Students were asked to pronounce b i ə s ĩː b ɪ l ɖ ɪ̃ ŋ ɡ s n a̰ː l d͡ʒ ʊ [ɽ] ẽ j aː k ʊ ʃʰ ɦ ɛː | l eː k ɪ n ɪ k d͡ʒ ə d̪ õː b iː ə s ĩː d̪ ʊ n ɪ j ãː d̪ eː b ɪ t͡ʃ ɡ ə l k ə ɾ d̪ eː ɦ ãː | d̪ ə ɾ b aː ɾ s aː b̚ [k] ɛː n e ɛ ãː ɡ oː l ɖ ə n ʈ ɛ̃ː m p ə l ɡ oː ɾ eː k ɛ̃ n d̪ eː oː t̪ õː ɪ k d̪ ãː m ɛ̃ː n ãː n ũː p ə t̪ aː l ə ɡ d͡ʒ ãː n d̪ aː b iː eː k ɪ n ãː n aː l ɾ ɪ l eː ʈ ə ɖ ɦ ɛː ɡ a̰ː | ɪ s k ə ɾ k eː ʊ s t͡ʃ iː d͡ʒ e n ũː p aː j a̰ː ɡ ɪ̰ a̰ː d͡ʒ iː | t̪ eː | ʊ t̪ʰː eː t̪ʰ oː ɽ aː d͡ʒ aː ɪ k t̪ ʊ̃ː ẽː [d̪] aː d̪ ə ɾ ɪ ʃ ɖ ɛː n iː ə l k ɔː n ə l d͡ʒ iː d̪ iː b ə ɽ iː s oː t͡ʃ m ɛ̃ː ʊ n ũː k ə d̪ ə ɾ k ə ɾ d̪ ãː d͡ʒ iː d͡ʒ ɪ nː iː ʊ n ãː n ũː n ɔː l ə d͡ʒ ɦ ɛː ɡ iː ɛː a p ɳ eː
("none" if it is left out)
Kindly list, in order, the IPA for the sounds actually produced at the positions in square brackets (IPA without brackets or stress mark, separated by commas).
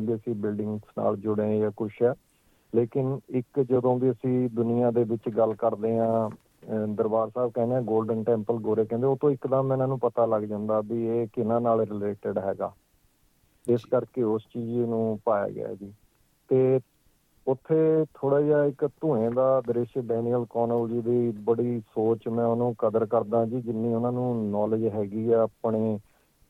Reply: ɽ, k, d̪